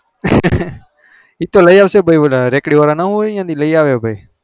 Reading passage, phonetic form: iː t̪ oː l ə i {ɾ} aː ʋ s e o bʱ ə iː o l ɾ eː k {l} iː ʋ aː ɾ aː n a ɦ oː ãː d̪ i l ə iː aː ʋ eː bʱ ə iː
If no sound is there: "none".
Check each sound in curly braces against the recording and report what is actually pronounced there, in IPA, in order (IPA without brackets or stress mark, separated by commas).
none, ɽ